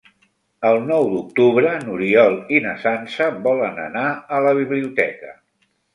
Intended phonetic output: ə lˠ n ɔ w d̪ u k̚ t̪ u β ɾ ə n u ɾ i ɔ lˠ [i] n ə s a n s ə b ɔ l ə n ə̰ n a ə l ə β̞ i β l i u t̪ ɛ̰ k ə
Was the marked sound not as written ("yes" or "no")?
no